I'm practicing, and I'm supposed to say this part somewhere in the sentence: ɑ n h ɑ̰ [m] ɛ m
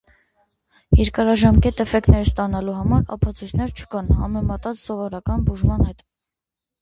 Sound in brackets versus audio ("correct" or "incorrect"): correct